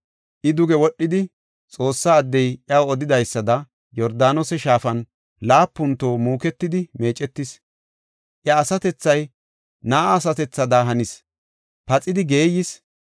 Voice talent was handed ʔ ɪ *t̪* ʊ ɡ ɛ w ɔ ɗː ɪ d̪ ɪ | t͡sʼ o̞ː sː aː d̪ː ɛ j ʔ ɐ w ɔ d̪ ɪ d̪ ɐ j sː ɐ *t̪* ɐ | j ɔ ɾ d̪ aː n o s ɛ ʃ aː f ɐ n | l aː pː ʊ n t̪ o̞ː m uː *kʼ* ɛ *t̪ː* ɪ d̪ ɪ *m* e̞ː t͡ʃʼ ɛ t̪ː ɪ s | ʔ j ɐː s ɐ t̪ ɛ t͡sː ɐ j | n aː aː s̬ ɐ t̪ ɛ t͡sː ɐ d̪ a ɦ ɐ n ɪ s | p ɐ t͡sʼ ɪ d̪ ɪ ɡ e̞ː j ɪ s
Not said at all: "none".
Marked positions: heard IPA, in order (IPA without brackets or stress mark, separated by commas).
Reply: d̪, d̪, k, t̪ː, m